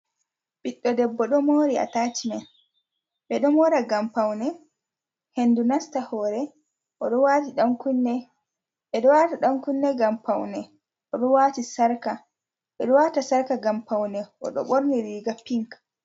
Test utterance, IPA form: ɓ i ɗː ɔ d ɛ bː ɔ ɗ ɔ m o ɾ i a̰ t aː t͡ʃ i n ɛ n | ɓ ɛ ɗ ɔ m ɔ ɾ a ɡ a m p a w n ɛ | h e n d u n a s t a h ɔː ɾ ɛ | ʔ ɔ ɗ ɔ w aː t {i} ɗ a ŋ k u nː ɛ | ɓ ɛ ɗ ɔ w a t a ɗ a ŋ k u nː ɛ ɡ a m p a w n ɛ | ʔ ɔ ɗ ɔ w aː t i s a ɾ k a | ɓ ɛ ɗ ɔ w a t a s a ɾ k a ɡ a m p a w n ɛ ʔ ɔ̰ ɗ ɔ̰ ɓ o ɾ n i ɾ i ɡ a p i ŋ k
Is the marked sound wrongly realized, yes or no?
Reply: no